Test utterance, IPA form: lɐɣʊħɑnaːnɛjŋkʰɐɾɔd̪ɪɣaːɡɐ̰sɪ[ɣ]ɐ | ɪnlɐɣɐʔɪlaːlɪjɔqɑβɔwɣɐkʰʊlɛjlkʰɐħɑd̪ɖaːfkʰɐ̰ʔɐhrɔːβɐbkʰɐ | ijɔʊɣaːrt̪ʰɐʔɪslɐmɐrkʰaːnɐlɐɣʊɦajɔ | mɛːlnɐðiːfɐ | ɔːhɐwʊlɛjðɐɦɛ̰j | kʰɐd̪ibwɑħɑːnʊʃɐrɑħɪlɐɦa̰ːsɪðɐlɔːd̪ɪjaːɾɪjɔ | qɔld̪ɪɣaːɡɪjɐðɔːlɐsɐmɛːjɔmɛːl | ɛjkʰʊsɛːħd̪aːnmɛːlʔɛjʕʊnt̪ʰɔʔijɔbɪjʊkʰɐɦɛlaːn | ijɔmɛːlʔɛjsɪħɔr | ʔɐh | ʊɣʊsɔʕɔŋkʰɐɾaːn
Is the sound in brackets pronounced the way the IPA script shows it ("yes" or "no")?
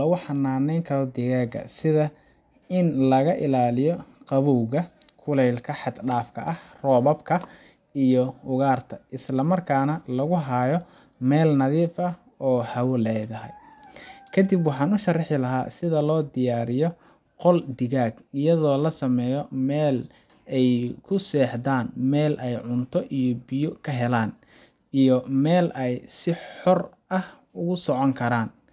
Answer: no